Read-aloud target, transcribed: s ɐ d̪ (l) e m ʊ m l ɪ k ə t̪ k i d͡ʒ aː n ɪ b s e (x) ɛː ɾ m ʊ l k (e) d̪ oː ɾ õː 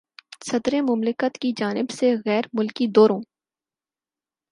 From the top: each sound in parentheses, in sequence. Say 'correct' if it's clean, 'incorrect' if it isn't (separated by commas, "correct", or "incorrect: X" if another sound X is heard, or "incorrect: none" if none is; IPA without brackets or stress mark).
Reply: incorrect: ɾ, incorrect: ɣ, incorrect: i